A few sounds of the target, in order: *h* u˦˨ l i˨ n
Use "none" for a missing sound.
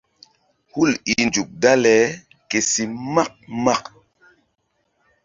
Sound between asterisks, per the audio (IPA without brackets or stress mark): h